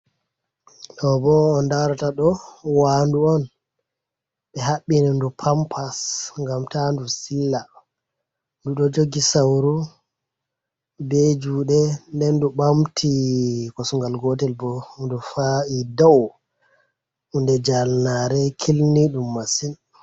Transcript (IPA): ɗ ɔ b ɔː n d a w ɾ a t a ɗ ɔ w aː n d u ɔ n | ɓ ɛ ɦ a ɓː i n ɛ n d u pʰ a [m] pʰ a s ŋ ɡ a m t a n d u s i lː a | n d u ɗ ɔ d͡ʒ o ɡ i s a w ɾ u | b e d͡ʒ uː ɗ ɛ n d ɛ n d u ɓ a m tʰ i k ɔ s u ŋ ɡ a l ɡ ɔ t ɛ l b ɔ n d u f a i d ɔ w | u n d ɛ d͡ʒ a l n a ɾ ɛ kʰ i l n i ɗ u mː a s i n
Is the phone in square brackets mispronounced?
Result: no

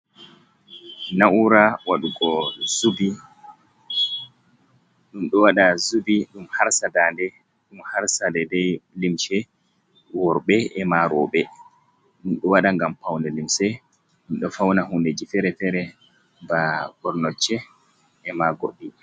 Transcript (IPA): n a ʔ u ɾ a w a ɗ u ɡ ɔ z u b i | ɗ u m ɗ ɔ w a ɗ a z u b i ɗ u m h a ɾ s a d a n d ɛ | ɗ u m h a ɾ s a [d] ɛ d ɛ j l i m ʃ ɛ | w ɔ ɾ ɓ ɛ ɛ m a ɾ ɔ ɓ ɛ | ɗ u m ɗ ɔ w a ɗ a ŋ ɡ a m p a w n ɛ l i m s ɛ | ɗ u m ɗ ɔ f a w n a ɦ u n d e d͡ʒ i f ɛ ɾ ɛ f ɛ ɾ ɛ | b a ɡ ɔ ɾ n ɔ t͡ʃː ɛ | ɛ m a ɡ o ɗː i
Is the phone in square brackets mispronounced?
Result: no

